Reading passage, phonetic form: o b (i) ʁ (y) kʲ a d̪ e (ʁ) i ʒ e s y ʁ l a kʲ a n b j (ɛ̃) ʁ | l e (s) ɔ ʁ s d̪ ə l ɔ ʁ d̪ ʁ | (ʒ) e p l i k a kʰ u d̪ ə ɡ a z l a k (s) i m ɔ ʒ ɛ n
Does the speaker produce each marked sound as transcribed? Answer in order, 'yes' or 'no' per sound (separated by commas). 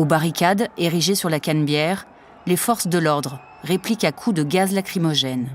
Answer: no, no, yes, no, no, no, no